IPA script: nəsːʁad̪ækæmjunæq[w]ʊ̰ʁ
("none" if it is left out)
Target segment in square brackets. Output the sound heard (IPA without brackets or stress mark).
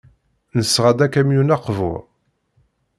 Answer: v